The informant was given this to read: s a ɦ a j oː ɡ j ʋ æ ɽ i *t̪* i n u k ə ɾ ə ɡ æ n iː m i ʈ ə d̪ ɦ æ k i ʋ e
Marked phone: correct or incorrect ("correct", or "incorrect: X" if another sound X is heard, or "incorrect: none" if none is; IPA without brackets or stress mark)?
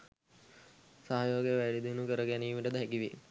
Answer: incorrect: d̪